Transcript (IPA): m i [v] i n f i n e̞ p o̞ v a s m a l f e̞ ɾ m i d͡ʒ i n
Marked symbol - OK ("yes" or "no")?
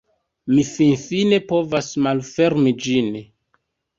no